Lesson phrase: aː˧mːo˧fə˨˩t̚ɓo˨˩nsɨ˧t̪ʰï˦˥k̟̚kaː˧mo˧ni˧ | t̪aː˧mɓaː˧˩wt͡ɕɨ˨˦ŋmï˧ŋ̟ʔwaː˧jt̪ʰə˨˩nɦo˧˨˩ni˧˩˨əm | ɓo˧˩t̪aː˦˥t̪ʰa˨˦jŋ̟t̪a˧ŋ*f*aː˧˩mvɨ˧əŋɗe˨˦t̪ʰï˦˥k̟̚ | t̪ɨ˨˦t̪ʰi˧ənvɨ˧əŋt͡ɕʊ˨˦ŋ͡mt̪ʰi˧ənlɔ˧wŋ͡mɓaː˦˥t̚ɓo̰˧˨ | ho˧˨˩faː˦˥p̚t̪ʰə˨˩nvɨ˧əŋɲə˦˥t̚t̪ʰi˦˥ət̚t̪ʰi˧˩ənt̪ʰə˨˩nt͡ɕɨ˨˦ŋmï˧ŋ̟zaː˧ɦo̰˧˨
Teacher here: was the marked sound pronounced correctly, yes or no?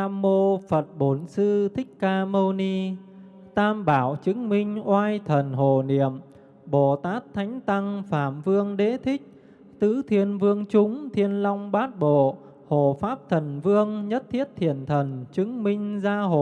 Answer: yes